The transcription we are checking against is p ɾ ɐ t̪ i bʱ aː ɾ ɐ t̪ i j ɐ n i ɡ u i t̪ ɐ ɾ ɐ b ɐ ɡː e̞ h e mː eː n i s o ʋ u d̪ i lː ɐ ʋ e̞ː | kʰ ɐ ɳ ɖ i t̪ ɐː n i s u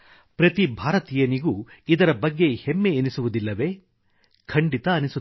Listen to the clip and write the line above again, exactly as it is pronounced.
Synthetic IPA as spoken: p ɾ ɐ t̪ i bʱ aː ɾ ɐ t̪ i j ɐ n i ɡ u i d̪ ɐ ɾ ɐ b ɐ ɡː e̞ h e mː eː n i s u ʋ u d̪ i lː ɐ ʋ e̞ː | kʰ ɐ ɳ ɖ i t̪ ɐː n i s u

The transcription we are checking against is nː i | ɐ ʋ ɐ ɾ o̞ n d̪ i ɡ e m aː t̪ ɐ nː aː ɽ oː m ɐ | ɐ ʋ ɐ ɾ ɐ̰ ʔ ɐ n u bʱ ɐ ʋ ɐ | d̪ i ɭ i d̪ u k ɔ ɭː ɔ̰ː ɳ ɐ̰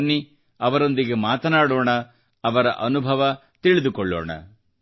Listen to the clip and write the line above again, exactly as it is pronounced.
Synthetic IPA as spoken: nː i | ɐ ʋ ɐ ɾ o̞ n d̪ i ɡ e m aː t̪ ɐ n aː ɽ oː ɳ ɐ | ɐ ʋ ɐ ɾ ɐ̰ ʔ ɐ n u bʱ ɐ ʋ ɐ | t̪ i ɭ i d̪ u k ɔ ɭː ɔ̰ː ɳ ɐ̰

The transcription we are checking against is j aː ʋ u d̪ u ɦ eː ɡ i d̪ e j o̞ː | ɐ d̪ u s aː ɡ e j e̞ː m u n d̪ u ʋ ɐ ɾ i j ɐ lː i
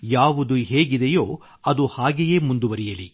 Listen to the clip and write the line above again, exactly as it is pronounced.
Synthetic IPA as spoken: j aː ʋ u d̪ u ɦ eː ɡ i d̪ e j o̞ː | ɐ d̪ u h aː ɡ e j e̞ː m u n d̪ u ʋ ɐ ɾ i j ɐ l i

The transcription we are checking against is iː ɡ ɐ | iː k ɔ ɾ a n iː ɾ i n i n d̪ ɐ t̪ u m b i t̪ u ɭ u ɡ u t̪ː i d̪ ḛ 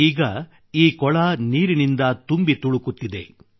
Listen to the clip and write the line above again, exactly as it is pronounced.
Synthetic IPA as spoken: iː ɡ ɐ | iː k ɔ ɭ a n iː ɾ i n i n d̪ ɐ t̪ u m b i t̪ u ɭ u k u t̪ː i d̪ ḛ

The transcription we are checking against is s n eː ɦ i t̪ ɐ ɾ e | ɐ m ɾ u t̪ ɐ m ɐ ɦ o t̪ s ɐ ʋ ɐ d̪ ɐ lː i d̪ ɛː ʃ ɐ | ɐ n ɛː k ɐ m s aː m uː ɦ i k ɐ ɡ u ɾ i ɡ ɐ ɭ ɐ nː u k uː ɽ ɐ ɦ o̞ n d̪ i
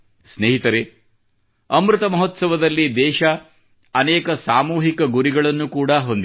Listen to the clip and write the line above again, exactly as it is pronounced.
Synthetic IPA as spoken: s n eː ɦ i t̪ ɐ ɾ e | ɐ m ɾ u t̪ ɐ m ɐ ɦ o t̪ s ɐ ʋ ɐ d̪ ɐ lː i d̪ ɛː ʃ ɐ | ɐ n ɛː k ɐ s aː m uː ɦ i k ɐ ɡ u ɾ i ɡ ɐ ɭ ɐ nː u k uː ɽ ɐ ɦ o̞ n d̪ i

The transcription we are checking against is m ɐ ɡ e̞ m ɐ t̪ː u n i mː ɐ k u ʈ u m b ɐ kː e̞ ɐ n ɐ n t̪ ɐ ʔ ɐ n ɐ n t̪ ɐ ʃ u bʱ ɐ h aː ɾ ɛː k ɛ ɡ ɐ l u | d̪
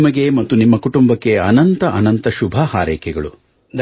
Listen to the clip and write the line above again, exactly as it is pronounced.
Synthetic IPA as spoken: m ɐ ɡ e̞ m ɐ t̪ː u n i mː ɐ k u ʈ u m b ɐ kː e̞ ɐ n ɐ n t̪ ɐ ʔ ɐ n ɐ n t̪ ɐ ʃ u bʱ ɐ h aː ɾ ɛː k ɛ ɡ ɐ ɭ u | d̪

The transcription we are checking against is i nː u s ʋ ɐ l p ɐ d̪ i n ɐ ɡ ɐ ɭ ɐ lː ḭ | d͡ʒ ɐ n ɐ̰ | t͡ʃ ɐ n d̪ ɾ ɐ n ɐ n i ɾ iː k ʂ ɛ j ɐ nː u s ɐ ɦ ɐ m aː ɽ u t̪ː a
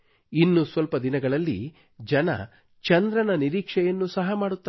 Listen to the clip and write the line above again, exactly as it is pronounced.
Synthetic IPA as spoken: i nː u s ʋ ɐ l p ɐ d̪ i n ɐ ɡ ɐ ɭ ɐ lː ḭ | d͡ʒ ɐ n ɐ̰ | t͡ʃ ɐ n d̪ ɾ ɐ n ɐ n i ɾ iː k ʂ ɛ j ɐ nː u s ɐ ɦ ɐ m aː ɽ u t̪ː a

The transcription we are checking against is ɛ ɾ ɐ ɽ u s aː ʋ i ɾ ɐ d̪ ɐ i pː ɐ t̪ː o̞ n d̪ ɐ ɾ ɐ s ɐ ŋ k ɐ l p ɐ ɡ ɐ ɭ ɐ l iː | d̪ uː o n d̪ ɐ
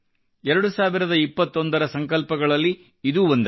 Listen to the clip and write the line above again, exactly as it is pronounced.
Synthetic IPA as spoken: ɛ ɾ ɐ ɽ u s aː ʋ i ɾ ɐ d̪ ɐ i pː ɐ t̪ː o̞ n d̪ ɐ ɾ ɐ s ɐ ŋ k ɐ l p ɐ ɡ ɐ ɭ ɐ lː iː | d̪ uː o n d̪ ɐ

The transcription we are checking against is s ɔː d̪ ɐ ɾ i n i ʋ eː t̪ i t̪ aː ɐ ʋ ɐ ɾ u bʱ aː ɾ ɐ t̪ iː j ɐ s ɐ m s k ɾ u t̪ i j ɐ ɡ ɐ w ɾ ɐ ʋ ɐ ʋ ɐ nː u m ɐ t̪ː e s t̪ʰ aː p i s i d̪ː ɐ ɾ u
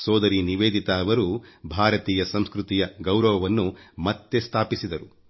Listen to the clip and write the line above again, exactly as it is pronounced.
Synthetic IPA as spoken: s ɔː d̪ ɐ ɾ i n i ʋ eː d̪ i t̪ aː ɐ ʋ ɐ ɾ u bʱ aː ɾ ɐ t̪ iː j ɐ s ɐ m s k ɾ u t̪ i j ɐ ɡ ɐ w ɾ ɐ ʋ ɐ ʋ ɐ nː u m ɐ t̪ː e s t̪ʰ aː p i s i d̪ ɐ ɾ u

